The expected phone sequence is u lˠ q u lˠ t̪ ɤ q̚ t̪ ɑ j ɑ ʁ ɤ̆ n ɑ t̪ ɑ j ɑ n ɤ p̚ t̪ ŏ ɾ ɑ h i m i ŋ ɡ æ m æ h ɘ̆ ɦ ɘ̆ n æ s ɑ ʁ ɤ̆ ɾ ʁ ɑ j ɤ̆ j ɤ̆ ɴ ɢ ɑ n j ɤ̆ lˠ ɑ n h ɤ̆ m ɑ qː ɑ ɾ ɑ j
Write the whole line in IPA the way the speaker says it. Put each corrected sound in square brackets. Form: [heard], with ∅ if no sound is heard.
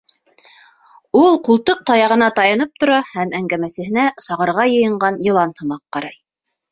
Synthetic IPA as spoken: u lˠ q u lˠ t̪ ɤ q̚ t̪ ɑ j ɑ ʁ ɤ̆ n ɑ t̪ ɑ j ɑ n ɤ p̚ t̪ ŏ ɾ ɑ h [æ] m [æ] ŋ ɡ æ m æ [s] ɘ̆ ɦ ɘ̆ n æ s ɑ ʁ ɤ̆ ɾ ʁ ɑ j ɤ̆ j ɤ̆ ɴ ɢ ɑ n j ɤ̆ lˠ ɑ n h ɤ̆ m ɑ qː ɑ ɾ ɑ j